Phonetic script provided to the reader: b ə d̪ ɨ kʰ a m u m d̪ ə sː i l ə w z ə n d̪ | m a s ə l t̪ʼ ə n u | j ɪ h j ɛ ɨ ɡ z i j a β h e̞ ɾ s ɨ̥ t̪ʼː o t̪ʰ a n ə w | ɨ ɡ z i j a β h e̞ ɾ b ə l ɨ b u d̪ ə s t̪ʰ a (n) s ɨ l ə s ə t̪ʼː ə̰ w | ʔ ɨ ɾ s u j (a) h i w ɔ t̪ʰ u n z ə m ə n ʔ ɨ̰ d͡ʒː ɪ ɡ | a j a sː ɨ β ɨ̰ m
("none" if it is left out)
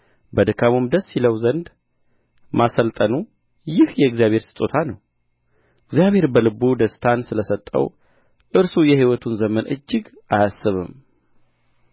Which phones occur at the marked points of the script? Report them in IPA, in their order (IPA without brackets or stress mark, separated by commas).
n, ɛ